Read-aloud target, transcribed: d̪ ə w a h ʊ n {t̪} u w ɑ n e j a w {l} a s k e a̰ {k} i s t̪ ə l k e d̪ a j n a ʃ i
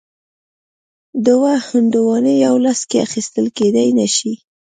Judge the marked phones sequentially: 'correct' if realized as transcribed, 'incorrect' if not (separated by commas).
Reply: incorrect, correct, incorrect